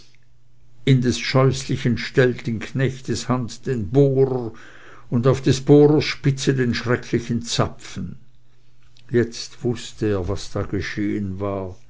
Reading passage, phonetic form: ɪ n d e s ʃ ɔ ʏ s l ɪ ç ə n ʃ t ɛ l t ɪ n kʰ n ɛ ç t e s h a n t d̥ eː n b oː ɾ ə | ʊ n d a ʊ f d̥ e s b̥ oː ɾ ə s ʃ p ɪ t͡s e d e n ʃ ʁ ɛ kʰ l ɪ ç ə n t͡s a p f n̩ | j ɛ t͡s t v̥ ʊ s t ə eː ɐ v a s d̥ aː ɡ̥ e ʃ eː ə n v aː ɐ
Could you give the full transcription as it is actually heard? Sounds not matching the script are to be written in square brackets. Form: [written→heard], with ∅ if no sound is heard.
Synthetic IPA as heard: ɪ n d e s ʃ ɔ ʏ s l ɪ ç ə n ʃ t ɛ l t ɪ n kʰ n ɛ ç t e s h a n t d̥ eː n b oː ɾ ə | ʊ n d a ʊ f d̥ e s b̥ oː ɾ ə s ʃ p ɪ t͡s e d e n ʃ ʁ ɛ kʰ l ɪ ç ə n t͡s a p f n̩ | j ɛ t͡s t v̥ ʊ s t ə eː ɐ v a s d̥ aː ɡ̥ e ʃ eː ə n v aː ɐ